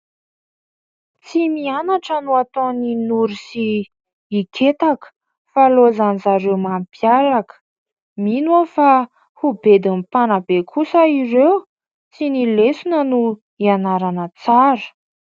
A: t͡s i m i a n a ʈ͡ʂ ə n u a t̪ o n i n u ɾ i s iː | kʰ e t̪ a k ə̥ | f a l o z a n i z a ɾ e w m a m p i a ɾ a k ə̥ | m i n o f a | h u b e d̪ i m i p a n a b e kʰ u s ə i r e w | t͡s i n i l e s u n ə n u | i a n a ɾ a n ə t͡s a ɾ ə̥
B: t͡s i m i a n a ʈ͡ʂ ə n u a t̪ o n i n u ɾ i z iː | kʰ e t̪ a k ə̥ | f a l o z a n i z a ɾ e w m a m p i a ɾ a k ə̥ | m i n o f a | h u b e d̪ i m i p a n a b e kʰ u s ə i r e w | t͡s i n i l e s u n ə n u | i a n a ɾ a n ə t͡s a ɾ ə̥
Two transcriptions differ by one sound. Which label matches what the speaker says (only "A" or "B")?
A